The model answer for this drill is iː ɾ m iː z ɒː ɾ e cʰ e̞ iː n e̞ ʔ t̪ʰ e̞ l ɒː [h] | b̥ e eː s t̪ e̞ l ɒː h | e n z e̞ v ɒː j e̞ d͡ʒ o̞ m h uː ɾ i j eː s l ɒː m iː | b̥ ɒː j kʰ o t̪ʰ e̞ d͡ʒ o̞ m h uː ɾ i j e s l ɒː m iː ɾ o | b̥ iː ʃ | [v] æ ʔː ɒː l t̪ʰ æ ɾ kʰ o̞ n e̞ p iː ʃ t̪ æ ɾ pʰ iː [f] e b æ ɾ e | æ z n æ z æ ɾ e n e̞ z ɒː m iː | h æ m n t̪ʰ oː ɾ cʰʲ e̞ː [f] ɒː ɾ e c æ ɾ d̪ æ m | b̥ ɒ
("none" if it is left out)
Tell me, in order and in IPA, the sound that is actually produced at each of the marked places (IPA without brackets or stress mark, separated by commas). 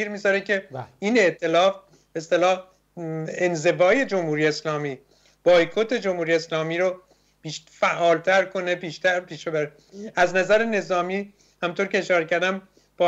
f, f, ʃ, ʃ